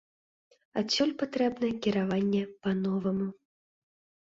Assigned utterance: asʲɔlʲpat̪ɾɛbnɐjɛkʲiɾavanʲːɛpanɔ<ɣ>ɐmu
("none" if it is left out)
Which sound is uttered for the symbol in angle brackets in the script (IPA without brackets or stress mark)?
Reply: v